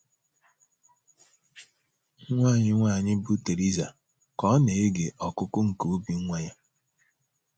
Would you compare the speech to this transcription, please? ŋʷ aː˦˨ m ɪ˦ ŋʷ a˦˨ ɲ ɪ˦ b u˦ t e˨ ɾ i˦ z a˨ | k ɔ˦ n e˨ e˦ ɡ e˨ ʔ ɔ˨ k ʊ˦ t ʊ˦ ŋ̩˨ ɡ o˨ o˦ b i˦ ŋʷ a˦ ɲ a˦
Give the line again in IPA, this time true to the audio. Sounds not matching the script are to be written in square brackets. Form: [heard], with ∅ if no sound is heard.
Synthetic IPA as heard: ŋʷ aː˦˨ [ɲ] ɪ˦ ŋʷ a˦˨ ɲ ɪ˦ b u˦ t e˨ ɾ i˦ z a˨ | k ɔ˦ n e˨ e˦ ɡ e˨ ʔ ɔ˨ k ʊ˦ [k] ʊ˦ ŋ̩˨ [k] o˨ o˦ b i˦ ŋʷ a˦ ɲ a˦